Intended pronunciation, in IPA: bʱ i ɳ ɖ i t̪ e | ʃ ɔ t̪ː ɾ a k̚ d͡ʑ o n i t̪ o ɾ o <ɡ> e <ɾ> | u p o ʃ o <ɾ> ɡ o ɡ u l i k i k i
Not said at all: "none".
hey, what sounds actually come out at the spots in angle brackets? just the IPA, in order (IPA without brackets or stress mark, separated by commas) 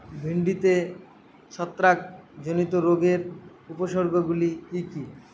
ɡ, ɾ, ɾ